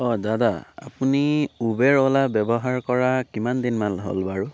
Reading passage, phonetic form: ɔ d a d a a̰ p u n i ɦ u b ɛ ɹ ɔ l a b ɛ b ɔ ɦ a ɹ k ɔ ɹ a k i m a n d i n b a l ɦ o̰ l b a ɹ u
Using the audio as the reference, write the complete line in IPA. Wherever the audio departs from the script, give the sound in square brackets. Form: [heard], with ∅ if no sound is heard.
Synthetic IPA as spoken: ɔ d a d a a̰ p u n i [∅] u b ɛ ɹ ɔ l a b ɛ b ɔ ɦ a ɹ k ɔ ɹ a k i m a n d i n [m] a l ɦ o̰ l b a ɹ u